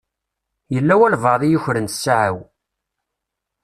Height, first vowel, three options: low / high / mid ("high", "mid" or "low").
mid